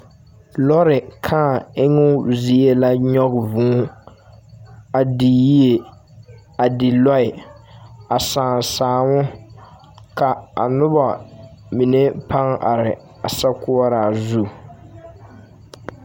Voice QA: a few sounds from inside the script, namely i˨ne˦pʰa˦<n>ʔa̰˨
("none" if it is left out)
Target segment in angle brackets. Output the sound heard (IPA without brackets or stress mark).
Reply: ŋ